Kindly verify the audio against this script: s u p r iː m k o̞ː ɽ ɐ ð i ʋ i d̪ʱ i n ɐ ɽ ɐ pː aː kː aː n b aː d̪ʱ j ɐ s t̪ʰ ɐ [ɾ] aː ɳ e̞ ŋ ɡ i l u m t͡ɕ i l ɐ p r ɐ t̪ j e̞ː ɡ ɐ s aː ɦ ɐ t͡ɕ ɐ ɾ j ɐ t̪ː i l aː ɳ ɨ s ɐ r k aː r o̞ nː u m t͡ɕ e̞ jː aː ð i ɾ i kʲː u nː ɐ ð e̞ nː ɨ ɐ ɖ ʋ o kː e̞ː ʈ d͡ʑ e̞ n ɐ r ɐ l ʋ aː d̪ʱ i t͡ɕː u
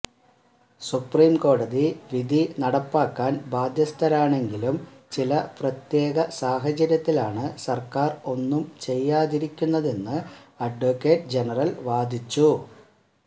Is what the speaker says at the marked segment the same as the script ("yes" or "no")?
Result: yes